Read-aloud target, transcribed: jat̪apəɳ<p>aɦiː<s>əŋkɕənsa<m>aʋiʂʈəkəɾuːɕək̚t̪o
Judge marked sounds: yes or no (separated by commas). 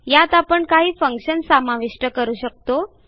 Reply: no, no, yes